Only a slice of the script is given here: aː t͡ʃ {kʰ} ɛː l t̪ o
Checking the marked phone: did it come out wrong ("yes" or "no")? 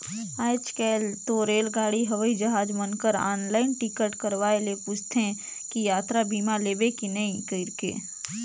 yes